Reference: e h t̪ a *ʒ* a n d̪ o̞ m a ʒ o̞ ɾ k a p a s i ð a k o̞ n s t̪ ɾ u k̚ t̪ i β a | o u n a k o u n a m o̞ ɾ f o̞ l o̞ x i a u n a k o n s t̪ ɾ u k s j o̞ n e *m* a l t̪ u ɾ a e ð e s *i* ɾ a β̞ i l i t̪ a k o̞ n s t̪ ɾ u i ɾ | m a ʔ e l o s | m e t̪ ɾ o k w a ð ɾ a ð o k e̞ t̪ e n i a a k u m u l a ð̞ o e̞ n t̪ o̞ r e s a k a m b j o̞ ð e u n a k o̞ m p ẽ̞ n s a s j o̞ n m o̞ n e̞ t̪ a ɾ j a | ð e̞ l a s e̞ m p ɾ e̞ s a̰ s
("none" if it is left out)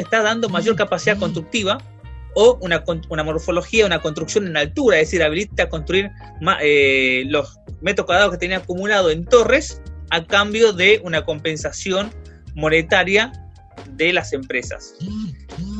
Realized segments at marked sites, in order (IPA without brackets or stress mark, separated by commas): ð, n, i